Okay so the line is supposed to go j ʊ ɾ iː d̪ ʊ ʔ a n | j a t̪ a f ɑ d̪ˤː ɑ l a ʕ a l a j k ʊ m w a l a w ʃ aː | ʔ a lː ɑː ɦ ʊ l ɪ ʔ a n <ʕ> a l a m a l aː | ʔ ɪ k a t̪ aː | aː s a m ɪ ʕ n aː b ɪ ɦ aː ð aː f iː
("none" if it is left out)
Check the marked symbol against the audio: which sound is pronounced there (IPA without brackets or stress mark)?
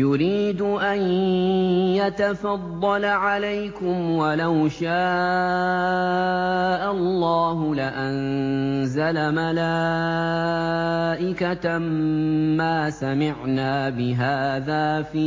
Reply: z